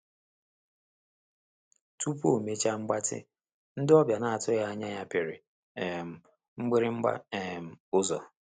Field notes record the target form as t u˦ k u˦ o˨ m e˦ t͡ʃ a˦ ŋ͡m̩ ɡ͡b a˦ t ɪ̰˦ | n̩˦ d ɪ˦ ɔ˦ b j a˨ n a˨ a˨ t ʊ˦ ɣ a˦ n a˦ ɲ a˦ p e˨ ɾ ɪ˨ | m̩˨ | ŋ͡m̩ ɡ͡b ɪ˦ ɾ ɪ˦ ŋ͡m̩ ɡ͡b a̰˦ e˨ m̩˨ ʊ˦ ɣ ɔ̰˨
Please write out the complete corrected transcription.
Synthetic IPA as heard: t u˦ p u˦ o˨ m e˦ t͡ʃ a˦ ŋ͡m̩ ɡ͡b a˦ t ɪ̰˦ | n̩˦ d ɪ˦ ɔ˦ b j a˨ n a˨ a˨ t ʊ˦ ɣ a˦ ɲ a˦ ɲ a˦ p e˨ ɾ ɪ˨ | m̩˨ | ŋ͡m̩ ɡ͡b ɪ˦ ɾ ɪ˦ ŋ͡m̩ ɡ͡b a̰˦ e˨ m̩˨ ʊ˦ z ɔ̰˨